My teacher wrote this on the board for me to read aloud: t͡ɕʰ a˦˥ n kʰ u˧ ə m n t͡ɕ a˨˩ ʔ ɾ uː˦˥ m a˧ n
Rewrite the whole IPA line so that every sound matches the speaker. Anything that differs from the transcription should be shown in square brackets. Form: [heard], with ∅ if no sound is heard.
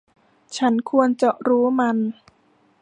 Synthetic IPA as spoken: t͡ɕʰ a˦˥ n kʰ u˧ ə [∅] n t͡ɕ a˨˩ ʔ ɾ uː˦˥ m a˧ n